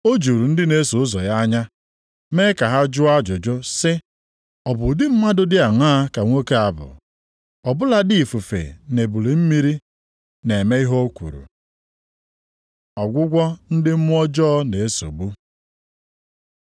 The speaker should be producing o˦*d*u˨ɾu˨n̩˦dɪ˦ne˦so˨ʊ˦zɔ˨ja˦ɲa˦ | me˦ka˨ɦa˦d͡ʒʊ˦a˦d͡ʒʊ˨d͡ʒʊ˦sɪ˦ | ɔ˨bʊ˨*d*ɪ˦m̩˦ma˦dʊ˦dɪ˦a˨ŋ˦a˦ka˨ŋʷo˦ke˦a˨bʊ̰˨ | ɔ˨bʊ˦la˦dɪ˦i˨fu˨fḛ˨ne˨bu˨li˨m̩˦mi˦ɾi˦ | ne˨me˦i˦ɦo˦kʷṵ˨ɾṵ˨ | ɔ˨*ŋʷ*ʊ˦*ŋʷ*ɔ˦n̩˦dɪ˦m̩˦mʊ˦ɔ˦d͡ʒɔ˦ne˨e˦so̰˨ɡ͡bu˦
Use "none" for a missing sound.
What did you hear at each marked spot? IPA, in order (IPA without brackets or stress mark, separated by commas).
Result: d͡ʒ, d, ɡʷ, ɡʷ